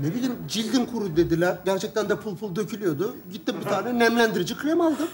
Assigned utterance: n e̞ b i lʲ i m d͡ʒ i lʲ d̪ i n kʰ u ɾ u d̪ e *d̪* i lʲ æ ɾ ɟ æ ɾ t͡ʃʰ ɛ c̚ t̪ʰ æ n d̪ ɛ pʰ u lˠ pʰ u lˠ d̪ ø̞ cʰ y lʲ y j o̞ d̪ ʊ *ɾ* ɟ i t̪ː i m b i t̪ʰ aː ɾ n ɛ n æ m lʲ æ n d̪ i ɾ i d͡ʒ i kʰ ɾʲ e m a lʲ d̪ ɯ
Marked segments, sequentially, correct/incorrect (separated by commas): correct, incorrect